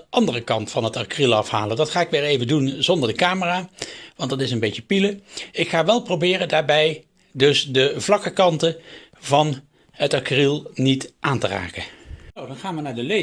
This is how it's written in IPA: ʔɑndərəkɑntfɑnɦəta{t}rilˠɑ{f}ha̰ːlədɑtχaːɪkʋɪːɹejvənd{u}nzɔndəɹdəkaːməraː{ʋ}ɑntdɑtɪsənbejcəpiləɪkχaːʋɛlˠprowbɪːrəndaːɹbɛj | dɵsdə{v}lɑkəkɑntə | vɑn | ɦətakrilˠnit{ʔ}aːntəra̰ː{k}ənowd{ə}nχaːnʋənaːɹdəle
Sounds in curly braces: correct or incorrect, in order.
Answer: incorrect: k, correct, correct, correct, correct, correct, correct, incorrect: ɑ

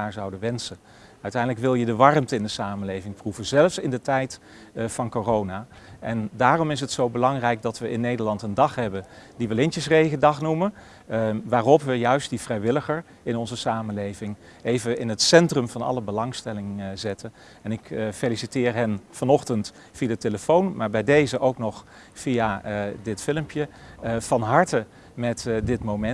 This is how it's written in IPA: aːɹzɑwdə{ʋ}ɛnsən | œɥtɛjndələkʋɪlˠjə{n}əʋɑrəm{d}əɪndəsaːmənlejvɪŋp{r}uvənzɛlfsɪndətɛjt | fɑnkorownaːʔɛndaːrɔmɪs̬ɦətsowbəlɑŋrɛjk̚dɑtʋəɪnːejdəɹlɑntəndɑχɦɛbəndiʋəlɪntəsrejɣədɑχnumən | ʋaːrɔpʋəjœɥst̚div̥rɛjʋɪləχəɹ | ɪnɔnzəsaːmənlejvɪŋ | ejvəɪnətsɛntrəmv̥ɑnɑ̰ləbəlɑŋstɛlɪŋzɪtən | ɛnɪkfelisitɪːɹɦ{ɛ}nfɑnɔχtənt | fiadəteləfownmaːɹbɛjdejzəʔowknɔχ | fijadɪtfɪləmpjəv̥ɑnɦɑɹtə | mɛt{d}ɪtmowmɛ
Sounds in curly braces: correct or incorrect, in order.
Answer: correct, incorrect: d, incorrect: t, correct, correct, correct

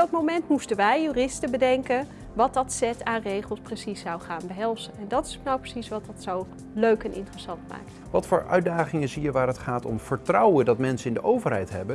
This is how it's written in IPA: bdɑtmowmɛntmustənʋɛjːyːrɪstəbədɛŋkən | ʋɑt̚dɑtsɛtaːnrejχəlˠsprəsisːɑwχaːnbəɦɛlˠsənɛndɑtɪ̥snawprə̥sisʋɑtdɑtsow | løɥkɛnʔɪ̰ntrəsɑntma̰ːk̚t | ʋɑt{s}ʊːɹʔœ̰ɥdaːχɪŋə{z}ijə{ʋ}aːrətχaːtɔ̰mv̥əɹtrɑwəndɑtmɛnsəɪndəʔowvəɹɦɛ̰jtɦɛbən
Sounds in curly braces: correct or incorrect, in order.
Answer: incorrect: f, correct, correct

